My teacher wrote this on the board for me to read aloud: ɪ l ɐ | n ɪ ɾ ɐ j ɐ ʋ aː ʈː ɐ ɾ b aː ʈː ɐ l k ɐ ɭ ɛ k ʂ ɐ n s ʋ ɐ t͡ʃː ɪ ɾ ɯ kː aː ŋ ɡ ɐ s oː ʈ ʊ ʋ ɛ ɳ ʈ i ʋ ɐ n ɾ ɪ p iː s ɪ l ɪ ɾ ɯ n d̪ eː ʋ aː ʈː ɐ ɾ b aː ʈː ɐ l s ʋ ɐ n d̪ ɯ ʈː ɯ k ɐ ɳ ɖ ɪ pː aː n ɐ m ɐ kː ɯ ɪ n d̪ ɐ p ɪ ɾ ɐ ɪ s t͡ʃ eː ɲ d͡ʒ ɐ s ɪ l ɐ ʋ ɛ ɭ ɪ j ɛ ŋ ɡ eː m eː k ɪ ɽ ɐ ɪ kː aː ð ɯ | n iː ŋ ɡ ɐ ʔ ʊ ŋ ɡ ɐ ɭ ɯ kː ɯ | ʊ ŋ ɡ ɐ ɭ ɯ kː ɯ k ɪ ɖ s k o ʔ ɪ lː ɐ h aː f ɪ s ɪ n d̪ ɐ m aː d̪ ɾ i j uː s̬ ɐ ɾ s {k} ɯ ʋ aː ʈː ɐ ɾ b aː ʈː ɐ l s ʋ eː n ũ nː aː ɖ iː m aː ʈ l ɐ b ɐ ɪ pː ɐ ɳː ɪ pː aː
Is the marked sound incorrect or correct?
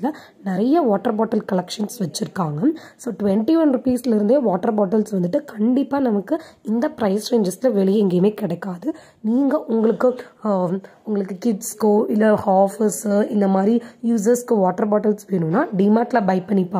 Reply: correct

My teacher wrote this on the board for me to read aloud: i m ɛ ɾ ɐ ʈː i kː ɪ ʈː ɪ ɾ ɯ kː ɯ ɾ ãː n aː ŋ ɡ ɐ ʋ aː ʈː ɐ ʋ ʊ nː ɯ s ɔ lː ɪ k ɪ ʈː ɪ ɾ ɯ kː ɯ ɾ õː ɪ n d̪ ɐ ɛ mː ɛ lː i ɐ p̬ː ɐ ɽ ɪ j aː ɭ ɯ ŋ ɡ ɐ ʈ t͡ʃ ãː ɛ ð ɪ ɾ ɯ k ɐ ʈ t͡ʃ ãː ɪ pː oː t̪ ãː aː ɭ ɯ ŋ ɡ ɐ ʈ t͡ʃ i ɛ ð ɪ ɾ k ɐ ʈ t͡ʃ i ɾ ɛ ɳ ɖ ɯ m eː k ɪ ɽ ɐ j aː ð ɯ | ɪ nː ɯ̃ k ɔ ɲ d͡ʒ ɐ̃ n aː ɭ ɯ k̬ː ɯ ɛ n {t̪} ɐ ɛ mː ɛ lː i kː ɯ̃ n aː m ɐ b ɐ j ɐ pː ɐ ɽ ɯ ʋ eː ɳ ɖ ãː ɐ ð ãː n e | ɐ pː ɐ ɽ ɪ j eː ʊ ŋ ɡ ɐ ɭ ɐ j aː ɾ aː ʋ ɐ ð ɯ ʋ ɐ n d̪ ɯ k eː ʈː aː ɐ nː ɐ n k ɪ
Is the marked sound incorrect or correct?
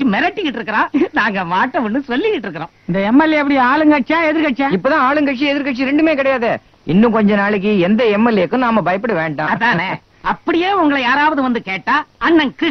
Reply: incorrect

